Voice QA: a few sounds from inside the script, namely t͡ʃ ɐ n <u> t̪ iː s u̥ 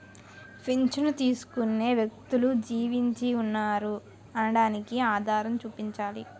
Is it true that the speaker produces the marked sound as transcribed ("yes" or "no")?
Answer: yes